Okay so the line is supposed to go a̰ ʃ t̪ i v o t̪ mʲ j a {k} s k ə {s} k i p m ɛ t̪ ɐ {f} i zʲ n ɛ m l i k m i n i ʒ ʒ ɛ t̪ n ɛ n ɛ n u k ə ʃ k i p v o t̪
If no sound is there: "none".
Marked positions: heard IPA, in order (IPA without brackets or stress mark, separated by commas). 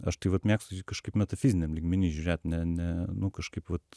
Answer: k, ʃ, f